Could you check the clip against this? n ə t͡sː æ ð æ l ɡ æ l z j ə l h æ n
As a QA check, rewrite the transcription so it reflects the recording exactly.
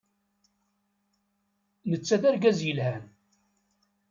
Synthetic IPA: n ə t͡sː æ ð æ ɾ ɡ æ z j ə l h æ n

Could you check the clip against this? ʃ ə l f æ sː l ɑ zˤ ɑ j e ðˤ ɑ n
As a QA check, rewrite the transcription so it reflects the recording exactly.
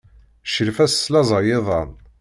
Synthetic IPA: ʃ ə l f æ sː l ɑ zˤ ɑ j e ðˤ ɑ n

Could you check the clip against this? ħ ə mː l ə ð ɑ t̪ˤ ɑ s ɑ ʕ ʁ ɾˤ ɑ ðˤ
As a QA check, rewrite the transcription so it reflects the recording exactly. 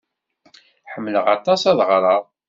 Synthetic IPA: ħ ə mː l ə ʁ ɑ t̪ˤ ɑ s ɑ ð ʁ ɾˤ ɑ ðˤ

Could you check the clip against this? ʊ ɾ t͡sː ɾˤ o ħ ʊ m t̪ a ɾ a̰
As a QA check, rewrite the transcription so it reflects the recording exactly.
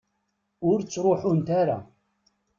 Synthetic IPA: ʊ ɾ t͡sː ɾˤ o ħ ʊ n t̪ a ɾ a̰

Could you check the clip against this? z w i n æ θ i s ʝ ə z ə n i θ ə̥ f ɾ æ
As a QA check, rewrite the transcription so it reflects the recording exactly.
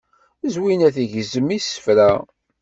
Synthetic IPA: z w i n æ θ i ʝ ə z ə m i s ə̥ f ɾ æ

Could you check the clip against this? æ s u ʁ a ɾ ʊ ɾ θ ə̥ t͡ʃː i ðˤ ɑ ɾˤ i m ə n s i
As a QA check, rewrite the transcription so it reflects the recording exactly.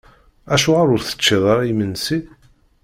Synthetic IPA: æ ʃ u ʁ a ɾ ʊ ɾ θ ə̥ t͡ʃː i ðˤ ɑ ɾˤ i m ə n s i

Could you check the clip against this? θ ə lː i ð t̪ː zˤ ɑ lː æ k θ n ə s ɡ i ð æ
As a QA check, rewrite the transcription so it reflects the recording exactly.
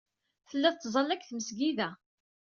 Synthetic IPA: θ ə lː æ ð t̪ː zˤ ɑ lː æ k θ m ə s ɡ i ð æ

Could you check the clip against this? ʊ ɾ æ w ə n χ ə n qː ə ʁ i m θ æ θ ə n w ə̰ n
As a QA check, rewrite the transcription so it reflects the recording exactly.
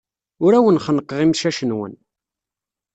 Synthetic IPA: ʊ ɾ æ w ə n χ ə n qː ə ʁ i m ʃ æ ʃ ə n w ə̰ n

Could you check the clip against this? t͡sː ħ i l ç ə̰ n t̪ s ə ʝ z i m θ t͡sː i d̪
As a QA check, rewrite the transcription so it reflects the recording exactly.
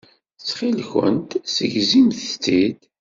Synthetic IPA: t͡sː χ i l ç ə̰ n t̪ s ə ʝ z i m θ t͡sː i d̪

